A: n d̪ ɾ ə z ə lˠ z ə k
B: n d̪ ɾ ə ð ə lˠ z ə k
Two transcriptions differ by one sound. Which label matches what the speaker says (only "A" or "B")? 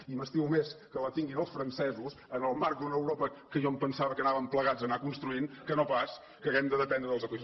B